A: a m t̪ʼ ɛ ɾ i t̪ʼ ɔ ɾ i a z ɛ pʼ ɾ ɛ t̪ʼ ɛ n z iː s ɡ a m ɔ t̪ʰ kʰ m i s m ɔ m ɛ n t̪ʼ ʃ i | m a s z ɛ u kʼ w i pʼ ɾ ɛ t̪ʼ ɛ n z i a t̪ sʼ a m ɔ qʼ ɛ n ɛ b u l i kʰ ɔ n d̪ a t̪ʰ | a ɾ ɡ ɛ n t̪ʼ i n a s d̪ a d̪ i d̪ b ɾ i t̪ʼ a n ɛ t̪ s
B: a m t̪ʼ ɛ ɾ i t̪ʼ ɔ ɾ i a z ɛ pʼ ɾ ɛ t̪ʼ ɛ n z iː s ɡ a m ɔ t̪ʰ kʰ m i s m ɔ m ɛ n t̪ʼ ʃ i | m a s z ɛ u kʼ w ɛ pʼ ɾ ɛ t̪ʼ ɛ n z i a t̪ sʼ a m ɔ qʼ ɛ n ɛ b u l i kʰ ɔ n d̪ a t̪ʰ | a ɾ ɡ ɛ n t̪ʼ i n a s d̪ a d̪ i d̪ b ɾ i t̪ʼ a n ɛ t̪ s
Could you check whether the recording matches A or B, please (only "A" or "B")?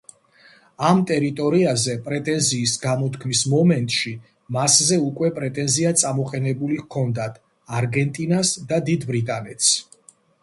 B